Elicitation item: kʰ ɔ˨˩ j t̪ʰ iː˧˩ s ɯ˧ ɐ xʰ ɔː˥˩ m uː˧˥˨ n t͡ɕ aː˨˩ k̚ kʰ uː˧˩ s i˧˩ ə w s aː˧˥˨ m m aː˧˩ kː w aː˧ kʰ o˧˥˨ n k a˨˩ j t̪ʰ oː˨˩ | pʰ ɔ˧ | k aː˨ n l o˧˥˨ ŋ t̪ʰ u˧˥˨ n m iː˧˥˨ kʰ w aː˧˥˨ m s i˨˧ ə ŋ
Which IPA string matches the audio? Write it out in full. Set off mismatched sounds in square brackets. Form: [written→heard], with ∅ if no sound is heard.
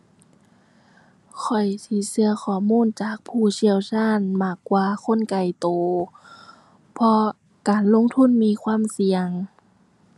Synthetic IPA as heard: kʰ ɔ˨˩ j t̪ʰ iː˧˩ s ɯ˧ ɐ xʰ [ɔː˥˩→ɔː˧˩] m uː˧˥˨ n t͡ɕ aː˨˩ k̚ [kʰ→pʰ] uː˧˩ s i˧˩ ə w s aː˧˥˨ [m→n] m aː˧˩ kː w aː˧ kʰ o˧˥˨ n k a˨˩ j [t̪ʰ→t̪] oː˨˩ | pʰ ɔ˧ | k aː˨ n l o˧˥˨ ŋ t̪ʰ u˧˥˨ n m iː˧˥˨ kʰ w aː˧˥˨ m s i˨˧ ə ŋ